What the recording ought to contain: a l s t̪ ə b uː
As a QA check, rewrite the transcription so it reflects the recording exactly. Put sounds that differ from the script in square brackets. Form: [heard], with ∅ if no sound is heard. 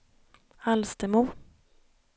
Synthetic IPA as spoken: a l s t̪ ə [m] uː